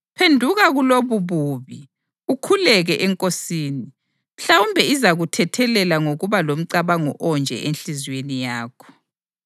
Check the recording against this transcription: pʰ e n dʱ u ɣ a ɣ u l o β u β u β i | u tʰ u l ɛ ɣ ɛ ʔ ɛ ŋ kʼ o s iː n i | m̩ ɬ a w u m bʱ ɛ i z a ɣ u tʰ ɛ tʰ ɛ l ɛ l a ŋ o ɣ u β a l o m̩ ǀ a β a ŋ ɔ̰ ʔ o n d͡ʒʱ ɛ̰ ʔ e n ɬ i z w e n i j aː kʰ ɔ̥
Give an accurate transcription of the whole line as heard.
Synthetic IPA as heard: pʰ e n dʱ u ɣ a ɣ u l o β u β u β i | u kʰ u l ɛ ɣ ɛ ʔ ɛ ŋ kʼ o s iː n i | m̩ ɬ a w u m bʱ ɛ i z a ɣ u tʰ ɛ tʰ ɛ l ɛ l a ŋ o ɣ u β a l o m̩ ǀ a β a ŋ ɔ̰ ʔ ɔ n d͡ʒʱ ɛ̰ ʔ e n ɬ i z w e n i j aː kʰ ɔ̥